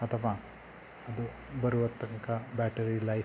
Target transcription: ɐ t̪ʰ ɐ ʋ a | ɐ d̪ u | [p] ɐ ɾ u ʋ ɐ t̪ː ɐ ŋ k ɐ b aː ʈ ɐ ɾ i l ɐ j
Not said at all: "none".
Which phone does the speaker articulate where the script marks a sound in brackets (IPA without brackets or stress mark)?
b